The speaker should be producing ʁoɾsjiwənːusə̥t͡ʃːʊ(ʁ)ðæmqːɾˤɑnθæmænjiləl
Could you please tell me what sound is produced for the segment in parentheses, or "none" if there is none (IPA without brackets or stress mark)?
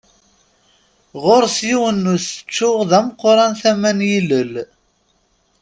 ʁ